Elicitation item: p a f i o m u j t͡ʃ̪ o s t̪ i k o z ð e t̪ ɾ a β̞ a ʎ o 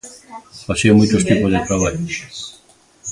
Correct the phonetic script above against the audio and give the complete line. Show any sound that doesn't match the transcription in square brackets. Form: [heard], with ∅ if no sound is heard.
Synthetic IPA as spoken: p a [s] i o m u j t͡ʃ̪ o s t̪ i [p] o z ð e t̪ ɾ a β̞ a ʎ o